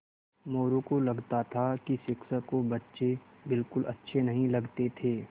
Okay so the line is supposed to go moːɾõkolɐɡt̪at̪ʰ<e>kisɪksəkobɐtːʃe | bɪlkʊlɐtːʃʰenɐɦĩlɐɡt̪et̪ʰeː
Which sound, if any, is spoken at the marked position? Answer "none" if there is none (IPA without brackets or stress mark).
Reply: a